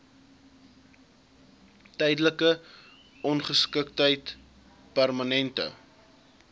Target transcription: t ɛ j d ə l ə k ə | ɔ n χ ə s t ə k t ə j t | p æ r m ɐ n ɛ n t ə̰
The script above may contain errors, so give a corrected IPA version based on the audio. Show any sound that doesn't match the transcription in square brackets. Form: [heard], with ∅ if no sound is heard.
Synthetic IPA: t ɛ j d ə l ə k ə | ɔ n χ ə s [k] ə k t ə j t | p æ r m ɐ n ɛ n t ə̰

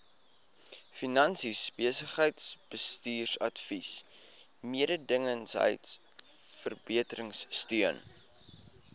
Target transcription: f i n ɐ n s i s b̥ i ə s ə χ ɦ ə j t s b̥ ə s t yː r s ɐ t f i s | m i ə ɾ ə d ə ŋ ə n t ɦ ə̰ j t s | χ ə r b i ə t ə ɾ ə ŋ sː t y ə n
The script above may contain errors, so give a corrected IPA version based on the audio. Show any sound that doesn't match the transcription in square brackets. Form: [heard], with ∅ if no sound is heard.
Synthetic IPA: f i n ɐ n s i s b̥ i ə s ə χ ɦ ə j t s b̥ ə s t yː r s ɐ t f i s | m i ə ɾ ə d ə ŋ ə n [s] ɦ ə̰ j t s | [f] ə r b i ə t ə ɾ ə ŋ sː t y ə n

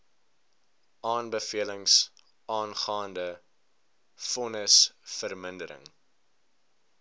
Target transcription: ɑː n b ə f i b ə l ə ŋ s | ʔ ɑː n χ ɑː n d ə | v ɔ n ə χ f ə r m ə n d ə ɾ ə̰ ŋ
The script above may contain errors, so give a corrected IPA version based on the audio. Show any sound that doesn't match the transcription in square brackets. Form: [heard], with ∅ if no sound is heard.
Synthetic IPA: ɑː n b ə f i [∅] ə l ə ŋ s | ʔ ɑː n χ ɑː n d ə | [f] ɔ n ə [s] f ə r m ə n d ə ɾ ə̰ ŋ

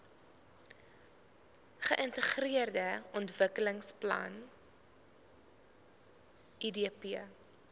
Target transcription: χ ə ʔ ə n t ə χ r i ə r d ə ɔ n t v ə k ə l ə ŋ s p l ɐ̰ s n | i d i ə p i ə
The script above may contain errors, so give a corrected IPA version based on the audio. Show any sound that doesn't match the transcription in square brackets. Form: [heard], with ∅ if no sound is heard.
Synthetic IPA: χ ə ʔ ə n t ə χ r i ə r d ə ɔ n t v ə k ə l ə ŋ s p l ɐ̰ [∅] n | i d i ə p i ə

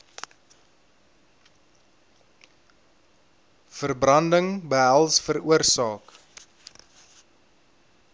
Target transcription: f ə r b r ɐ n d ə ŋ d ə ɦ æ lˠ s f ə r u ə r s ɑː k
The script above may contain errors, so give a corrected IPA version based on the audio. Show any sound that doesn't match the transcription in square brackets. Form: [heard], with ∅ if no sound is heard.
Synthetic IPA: f ə r b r ɐ n d ə ŋ [b] ə ɦ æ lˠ s f ə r u ə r s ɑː k

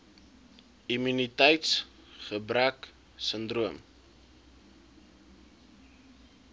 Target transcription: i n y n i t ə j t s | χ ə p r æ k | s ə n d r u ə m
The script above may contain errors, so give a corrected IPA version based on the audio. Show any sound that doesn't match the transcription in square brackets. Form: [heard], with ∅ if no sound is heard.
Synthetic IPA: i [m] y n i t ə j t s | χ ə [b] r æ k | s ə n d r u ə m

